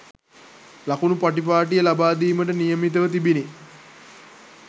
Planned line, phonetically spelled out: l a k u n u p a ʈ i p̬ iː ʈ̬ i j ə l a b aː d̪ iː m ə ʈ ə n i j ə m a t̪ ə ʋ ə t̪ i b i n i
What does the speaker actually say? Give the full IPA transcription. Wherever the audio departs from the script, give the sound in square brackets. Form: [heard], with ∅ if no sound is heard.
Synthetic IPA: l a k u n u p a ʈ i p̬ [aː] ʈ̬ i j ə l a b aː d̪ iː m ə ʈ ə n i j ə m [i] t̪ ə ʋ ə t̪ i b i n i